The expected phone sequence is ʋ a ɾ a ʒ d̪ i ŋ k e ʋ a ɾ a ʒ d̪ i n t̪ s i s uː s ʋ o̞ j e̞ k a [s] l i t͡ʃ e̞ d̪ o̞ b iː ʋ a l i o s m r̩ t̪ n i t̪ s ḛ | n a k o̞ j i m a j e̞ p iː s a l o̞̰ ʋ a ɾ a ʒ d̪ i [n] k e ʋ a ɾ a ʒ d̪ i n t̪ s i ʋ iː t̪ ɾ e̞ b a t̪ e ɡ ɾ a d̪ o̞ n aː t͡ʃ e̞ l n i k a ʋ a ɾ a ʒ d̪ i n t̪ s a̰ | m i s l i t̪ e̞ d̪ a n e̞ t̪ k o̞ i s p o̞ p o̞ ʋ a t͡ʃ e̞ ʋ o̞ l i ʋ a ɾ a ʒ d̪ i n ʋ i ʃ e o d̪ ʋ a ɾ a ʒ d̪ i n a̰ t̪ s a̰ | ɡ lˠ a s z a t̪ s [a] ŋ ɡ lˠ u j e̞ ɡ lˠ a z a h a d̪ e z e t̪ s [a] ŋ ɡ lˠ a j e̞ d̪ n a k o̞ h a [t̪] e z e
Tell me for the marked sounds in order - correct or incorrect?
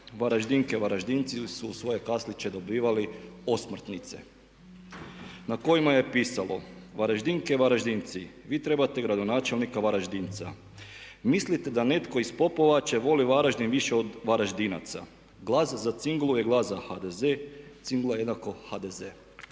correct, incorrect: ŋ, incorrect: i, incorrect: i, incorrect: d̪

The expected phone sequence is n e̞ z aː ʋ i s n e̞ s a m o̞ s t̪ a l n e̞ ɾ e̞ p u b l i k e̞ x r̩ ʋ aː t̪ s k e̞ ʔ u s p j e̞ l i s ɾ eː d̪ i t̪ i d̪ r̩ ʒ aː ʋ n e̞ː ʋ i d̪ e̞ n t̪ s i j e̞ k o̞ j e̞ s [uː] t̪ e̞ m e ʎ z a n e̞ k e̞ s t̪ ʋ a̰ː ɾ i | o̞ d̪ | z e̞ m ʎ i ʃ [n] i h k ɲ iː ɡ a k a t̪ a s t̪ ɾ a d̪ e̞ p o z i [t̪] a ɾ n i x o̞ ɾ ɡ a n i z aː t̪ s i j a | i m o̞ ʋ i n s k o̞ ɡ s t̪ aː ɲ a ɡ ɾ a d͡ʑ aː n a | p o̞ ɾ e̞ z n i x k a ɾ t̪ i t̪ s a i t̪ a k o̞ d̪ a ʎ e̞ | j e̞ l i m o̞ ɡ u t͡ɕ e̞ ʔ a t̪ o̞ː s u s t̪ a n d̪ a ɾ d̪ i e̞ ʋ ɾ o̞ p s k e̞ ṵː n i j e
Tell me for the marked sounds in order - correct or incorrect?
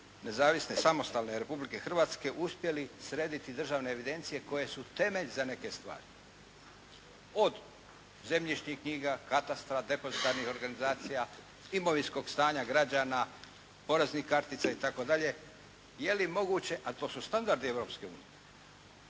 incorrect: u, incorrect: ɲ, correct

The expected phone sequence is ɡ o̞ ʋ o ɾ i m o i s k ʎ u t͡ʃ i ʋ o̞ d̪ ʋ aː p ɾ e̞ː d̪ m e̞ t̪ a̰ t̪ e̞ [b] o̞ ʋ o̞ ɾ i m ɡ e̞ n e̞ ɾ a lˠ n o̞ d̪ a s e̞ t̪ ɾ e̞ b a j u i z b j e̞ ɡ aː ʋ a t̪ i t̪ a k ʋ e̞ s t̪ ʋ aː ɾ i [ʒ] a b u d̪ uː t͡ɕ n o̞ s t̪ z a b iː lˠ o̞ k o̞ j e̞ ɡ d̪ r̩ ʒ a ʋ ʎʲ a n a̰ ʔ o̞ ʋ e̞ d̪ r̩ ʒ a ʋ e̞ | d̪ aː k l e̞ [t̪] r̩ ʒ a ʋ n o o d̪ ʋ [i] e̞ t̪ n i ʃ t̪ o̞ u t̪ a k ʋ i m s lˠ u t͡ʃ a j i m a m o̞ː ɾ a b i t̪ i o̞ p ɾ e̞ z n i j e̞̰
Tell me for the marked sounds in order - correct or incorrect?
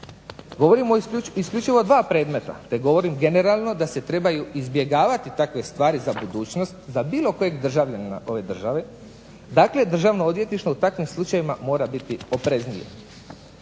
incorrect: ɡ, incorrect: z, incorrect: d̪, incorrect: j

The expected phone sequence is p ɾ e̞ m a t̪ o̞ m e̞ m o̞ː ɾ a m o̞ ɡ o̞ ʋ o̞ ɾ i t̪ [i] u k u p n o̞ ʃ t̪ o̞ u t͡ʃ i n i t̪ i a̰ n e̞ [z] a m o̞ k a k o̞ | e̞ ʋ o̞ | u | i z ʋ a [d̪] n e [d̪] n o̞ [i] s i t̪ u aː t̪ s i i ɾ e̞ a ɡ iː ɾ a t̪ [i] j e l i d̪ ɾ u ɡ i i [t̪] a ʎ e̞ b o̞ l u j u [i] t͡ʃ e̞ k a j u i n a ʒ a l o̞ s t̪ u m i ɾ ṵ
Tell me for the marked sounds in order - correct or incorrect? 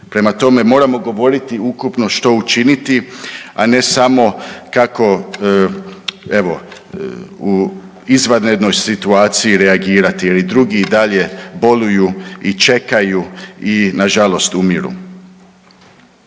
correct, incorrect: s, correct, correct, incorrect: j, correct, incorrect: d̪, correct

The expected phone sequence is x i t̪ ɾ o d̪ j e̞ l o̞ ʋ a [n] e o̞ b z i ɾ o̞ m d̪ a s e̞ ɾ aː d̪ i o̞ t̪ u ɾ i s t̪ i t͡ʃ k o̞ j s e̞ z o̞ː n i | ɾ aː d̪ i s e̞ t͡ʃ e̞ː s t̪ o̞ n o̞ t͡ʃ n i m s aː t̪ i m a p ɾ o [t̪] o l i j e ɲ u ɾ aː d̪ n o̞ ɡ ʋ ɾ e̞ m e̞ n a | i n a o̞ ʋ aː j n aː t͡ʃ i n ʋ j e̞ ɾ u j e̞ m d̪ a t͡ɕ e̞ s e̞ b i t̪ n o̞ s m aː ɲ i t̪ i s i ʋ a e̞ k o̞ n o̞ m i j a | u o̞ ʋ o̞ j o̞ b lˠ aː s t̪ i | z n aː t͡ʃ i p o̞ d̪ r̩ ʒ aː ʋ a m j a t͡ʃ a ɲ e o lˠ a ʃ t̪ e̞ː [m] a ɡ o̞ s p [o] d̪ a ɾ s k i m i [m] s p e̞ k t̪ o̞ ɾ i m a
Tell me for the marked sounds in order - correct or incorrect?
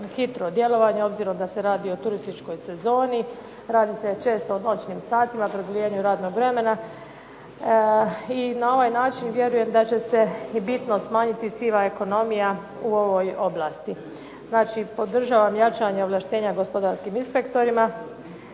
incorrect: ɲ, incorrect: d̪, incorrect: ɲ, correct, incorrect: n

